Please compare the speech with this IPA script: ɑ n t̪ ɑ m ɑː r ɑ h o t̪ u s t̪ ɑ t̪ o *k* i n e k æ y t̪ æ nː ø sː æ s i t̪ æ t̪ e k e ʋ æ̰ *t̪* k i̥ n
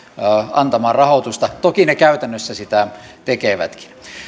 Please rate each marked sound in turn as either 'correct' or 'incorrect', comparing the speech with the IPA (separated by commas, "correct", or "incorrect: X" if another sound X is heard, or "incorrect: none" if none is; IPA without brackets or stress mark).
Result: correct, correct